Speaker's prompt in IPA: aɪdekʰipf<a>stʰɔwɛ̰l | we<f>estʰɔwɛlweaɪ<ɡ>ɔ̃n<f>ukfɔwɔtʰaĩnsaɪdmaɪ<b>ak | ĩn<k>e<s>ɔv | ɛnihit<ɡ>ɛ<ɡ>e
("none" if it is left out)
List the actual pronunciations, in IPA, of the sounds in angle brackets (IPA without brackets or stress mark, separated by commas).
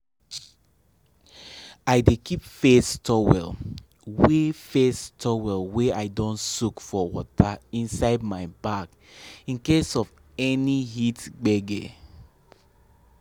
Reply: e, f, d, s, b, k, s, ɡ͡b, ɡ